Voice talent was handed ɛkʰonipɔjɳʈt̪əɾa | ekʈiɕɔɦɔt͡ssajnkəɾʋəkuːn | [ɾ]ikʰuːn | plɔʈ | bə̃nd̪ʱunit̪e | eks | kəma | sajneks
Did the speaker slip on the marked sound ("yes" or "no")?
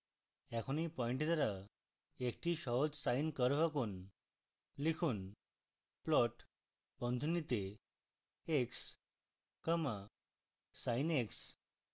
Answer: yes